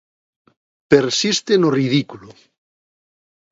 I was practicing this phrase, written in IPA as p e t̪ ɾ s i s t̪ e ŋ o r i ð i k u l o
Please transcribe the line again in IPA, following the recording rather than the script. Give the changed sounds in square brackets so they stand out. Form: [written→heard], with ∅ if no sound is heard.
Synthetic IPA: p e [t̪→∅] ɾ s i s t̪ e [ŋ→n] o r i ð i k u l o